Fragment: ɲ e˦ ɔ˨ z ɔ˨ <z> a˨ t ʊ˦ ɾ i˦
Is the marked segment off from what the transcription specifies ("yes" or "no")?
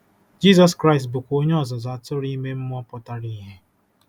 no